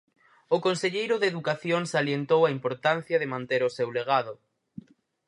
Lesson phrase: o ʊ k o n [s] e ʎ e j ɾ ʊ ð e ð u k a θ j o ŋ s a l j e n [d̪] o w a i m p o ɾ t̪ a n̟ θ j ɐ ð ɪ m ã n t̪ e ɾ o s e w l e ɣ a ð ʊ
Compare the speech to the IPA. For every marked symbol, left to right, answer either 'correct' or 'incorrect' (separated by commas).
correct, incorrect